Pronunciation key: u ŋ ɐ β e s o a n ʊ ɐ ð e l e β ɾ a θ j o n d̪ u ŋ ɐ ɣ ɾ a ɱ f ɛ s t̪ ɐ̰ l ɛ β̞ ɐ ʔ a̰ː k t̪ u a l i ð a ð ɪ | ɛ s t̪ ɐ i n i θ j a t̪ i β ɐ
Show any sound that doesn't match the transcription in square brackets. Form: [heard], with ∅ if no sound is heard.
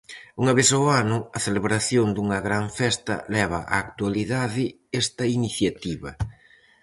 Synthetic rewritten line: u ŋ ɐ β e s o a n ʊ ɐ [θ] e l e β ɾ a θ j o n d̪ u ŋ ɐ ɣ ɾ a ɱ f ɛ s t̪ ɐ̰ l ɛ β̞ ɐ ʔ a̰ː k t̪ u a l i ð a ð ɪ | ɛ s t̪ ɐ i n i θ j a t̪ i β ɐ

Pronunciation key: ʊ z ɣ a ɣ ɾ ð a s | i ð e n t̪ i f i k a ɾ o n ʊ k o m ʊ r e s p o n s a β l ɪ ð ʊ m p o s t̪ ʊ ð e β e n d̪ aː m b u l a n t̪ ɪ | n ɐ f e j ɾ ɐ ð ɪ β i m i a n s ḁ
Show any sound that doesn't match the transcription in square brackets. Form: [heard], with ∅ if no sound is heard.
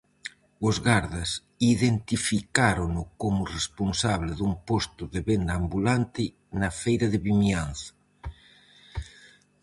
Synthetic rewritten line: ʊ z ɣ a [∅] ɾ ð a s | i ð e n t̪ i f i k a ɾ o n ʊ k o m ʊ r e s p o n s a β l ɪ ð [u] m p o s t̪ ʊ ð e β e n d̪ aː m b u l a n t̪ ɪ | n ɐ f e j ɾ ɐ ð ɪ β i m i a n [θ] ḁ

